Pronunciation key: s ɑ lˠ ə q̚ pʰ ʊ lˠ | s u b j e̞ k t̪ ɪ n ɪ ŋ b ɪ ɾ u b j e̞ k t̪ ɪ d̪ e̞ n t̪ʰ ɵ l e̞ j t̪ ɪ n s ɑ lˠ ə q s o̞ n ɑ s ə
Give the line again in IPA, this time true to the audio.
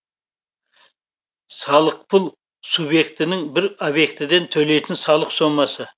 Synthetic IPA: s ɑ lˠ ə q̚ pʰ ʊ lˠ | s u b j e̞ k t̪ ɪ n ɪ ŋ b ɪ ɾ o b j e̞ k t̪ ɪ d̪ e̞ n t̪ʰ ɵ l e̞ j t̪ ɪ n s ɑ lˠ ə q s o̞ m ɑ s ə

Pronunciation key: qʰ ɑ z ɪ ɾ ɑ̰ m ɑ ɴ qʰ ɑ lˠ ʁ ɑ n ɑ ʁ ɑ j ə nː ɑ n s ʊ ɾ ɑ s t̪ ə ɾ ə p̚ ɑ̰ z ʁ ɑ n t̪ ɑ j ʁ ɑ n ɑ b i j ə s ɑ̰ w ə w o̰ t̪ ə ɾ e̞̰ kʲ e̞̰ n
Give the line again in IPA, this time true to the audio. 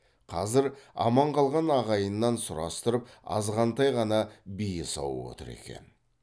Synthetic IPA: qʰ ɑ z ɪ ɾ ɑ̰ m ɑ ɴ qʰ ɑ lˠ ʁ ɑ n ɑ ʁ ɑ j ə nː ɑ n s ʊ ɾ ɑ s t̪ ə ɾ ə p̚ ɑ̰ z ʁ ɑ n t̪ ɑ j ʁ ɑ n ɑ b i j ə s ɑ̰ w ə w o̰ t̪ ə ɾ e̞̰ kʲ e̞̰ n

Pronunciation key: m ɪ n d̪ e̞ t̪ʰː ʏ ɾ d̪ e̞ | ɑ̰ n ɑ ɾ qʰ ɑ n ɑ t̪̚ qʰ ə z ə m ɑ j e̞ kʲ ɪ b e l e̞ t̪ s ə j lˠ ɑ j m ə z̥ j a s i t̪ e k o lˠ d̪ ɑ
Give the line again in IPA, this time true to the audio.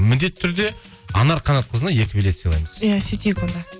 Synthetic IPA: m ɪ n d̪ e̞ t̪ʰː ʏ ɾ d̪ e̞ | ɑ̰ n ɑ ɾ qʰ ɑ n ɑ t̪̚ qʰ ə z ə n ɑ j e̞ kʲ ɪ b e l e̞ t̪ s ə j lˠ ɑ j m ə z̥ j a s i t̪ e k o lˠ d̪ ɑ

